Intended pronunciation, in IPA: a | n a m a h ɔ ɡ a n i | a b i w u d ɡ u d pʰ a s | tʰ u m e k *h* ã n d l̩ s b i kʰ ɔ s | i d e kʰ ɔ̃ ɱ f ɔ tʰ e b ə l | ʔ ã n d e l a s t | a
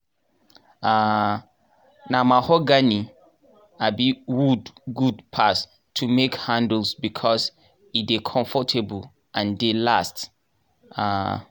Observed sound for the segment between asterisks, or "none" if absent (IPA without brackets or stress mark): h